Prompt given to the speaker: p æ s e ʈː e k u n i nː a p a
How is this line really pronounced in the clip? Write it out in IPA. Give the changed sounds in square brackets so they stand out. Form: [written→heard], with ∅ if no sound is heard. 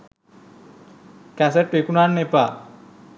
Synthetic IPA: [p→k] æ s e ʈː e k u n [i→a] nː [a→e] p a